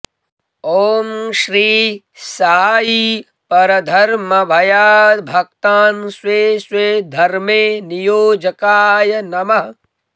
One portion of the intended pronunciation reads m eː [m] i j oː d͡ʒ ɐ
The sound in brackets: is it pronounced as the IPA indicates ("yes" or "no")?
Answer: no